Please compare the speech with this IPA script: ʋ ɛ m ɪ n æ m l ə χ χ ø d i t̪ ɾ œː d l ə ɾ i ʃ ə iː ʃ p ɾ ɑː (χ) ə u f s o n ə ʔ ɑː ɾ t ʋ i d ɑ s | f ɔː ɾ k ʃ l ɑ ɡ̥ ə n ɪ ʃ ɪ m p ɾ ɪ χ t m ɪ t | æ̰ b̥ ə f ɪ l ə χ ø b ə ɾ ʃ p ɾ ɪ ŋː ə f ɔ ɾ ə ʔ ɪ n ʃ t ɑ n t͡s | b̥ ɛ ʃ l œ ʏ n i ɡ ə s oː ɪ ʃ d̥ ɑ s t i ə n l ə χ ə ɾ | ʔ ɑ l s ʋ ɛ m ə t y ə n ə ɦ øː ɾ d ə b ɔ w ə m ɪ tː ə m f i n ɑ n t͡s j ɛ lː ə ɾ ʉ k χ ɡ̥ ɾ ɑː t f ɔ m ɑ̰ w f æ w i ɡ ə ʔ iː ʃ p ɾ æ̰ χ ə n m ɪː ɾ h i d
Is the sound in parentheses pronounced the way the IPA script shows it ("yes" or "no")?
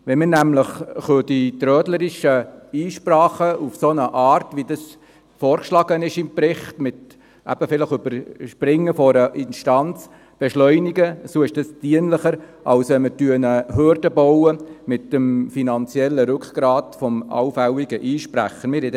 yes